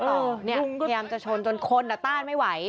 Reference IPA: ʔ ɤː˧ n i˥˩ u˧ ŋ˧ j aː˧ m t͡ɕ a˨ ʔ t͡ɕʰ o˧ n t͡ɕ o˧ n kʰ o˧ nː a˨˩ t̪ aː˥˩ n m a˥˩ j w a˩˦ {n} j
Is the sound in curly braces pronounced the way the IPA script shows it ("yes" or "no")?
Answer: no